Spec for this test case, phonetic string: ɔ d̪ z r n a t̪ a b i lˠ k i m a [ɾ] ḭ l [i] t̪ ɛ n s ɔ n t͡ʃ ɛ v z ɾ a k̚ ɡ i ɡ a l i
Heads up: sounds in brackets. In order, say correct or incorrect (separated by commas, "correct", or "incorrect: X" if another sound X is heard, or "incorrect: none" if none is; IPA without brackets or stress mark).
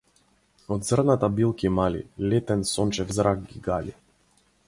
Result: incorrect: l, incorrect: ɛ